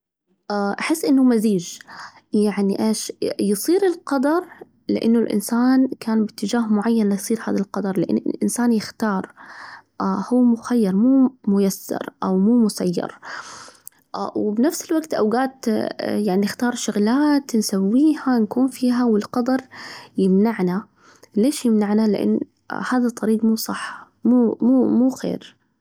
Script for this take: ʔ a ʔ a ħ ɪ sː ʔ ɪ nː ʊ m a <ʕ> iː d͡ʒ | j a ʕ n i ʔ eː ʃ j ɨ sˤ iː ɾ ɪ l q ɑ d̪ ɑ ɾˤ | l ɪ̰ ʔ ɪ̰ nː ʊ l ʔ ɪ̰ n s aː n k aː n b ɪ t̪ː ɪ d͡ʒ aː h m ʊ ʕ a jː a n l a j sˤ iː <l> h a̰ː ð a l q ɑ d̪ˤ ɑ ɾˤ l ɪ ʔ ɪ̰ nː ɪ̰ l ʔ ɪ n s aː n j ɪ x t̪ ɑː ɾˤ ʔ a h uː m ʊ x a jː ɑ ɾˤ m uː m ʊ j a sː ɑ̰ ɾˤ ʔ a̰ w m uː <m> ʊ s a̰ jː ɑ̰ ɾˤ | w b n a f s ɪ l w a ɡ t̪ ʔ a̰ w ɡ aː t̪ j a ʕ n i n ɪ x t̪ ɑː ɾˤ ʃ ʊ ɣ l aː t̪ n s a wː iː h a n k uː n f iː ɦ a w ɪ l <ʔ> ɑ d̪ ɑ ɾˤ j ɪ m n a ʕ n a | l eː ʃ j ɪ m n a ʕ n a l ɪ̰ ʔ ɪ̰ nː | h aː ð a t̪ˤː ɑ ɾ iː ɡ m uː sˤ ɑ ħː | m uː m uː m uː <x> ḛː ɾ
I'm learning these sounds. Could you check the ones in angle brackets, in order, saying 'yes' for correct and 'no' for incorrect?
no, no, yes, no, yes

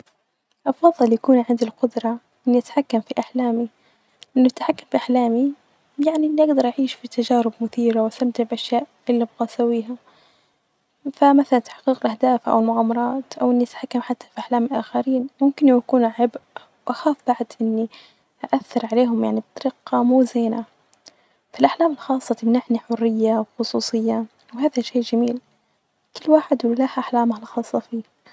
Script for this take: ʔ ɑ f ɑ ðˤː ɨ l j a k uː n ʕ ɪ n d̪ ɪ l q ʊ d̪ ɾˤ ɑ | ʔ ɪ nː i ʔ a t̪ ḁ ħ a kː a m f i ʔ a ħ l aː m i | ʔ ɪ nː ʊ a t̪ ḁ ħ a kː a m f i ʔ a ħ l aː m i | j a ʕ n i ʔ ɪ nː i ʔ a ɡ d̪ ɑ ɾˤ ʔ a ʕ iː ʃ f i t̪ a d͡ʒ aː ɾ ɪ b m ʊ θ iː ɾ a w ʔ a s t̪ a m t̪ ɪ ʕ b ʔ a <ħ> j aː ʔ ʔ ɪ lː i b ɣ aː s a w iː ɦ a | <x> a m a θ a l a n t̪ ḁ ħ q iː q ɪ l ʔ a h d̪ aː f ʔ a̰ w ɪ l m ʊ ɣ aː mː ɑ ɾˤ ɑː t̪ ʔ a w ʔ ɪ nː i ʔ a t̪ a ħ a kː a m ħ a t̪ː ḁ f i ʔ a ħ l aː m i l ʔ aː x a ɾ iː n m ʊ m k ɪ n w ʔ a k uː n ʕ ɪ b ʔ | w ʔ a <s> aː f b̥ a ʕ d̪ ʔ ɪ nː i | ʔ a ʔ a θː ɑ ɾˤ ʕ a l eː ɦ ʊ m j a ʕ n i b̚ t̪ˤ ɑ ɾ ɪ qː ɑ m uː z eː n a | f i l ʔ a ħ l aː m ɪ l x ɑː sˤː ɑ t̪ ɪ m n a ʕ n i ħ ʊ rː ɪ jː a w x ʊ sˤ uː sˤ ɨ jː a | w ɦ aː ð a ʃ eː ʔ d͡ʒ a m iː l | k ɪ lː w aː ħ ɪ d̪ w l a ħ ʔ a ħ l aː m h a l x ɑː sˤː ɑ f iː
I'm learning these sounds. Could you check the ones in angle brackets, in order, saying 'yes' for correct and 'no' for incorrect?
no, no, no

